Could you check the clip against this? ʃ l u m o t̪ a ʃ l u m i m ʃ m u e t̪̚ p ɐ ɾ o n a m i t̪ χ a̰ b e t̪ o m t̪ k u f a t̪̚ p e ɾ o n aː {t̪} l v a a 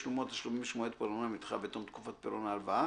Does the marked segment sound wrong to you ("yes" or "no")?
yes